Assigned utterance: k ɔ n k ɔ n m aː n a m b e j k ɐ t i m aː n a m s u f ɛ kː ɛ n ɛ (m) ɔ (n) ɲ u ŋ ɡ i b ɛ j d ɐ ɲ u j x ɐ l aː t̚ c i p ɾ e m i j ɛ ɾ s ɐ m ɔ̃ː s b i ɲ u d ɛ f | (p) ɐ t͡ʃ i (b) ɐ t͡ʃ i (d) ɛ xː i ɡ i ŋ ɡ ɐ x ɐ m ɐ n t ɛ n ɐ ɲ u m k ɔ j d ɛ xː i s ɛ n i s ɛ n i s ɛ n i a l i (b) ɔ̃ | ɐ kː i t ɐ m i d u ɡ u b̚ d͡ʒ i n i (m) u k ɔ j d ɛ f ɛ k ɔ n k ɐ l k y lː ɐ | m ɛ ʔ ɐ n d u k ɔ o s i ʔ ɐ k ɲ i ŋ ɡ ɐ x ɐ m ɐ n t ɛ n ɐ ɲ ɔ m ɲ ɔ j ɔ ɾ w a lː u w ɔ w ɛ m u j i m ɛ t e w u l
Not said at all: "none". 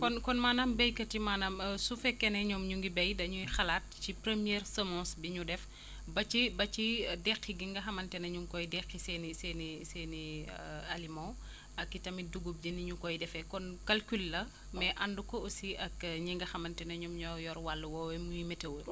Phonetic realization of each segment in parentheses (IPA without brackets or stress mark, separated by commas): ɲ, m, b, b, d, m, ɲ